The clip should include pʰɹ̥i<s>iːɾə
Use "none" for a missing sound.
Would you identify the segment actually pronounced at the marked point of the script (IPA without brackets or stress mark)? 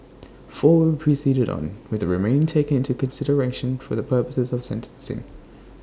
s